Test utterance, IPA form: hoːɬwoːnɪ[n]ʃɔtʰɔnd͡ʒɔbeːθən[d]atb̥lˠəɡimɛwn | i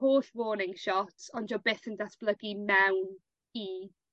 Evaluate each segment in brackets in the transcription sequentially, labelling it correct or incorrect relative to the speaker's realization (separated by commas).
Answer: incorrect, correct